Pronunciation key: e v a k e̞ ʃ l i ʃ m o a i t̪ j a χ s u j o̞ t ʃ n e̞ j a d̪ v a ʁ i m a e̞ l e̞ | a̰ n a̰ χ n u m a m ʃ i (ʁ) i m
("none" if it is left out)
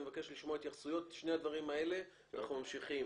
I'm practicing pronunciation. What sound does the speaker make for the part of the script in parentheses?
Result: χ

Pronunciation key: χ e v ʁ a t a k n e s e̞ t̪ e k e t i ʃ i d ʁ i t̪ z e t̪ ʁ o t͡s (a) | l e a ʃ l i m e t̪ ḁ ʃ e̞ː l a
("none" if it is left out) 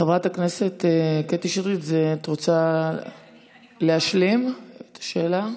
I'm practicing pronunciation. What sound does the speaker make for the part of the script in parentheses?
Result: a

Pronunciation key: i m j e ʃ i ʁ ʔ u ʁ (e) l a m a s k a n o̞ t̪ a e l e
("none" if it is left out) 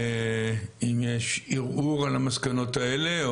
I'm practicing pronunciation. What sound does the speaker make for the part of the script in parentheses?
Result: a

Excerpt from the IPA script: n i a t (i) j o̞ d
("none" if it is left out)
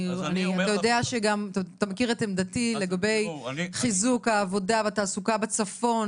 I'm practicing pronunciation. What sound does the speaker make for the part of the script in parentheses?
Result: a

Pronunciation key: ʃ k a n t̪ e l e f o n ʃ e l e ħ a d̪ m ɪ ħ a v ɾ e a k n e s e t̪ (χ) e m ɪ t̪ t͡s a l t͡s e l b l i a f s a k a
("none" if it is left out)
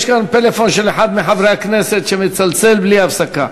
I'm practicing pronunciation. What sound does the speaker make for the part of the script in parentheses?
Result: ʃ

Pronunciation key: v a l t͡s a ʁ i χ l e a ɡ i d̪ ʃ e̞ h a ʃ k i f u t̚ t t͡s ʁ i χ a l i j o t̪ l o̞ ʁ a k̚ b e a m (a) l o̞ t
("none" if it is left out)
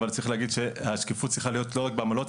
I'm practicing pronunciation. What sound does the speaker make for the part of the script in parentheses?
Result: a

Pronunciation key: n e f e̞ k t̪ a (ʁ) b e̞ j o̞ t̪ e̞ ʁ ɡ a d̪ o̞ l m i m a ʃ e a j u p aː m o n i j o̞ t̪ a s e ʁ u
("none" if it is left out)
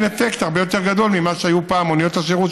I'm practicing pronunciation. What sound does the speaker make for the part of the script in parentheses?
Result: ʁ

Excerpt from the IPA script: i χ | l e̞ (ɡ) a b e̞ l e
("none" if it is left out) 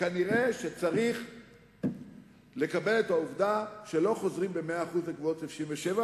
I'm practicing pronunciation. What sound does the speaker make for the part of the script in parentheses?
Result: k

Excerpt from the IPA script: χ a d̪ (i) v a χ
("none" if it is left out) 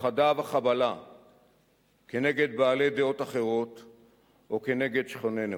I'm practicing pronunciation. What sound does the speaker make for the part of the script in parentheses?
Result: a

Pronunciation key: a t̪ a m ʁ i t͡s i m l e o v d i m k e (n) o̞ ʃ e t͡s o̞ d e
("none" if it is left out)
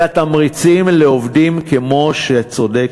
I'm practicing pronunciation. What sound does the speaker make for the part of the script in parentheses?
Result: m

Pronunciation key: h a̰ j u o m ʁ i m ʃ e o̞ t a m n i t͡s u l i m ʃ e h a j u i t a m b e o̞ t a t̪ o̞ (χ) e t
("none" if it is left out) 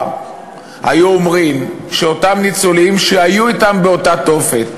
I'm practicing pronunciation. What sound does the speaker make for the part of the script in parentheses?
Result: f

